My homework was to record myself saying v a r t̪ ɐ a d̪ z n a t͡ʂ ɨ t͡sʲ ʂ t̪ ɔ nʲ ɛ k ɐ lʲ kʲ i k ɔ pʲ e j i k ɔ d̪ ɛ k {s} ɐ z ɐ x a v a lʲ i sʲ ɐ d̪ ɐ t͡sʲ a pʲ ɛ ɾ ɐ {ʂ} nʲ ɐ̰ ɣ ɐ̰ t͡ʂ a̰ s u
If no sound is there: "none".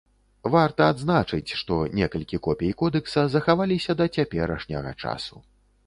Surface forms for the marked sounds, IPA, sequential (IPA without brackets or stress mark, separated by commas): s, ʂ